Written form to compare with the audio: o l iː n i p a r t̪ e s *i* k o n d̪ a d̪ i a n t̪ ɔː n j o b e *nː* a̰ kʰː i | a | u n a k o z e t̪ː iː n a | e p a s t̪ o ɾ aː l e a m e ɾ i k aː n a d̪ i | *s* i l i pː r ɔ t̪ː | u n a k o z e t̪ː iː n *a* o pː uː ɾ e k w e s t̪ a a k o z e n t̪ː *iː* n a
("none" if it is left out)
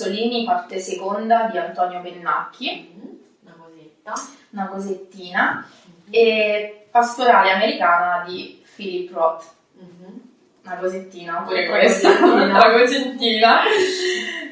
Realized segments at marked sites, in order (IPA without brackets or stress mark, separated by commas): e, nː, f, a, iː